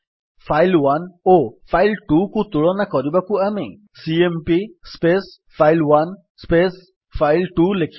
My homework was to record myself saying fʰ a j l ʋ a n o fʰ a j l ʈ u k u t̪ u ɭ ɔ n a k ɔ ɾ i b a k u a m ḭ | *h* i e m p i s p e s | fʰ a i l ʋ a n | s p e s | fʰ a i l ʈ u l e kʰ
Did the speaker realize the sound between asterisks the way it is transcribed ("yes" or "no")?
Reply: no